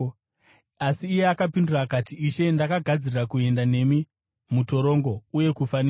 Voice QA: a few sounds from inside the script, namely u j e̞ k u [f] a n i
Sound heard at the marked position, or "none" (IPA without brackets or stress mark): f